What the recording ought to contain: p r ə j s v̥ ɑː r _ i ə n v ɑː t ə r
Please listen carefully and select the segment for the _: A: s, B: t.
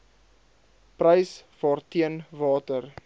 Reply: B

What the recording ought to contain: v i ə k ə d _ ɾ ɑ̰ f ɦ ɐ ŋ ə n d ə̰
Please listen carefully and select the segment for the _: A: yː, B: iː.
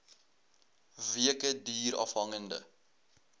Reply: B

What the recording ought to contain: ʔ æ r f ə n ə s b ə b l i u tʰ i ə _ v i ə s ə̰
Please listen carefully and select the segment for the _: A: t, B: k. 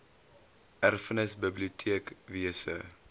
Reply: B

